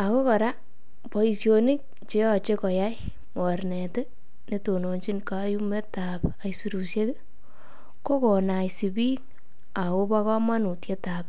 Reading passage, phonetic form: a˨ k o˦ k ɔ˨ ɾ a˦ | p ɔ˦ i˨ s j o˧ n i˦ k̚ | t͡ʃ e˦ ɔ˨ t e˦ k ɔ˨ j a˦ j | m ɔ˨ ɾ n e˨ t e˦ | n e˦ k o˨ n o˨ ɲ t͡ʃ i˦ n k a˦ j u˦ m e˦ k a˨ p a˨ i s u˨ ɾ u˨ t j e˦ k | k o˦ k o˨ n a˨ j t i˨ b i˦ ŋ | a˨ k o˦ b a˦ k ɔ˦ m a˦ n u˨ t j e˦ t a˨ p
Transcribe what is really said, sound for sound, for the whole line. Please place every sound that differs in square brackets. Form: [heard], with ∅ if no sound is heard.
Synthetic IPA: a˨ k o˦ k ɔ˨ ɾ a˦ | p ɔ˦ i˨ s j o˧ n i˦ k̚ | t͡ʃ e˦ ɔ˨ [t͡ʃ] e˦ k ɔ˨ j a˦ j | m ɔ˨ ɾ n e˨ t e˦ | n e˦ [t] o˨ n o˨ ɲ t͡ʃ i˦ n k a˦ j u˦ m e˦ [t] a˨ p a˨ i s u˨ ɾ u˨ [s] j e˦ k | k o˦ k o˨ n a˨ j [s] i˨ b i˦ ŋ | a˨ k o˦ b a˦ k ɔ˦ m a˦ n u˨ t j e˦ t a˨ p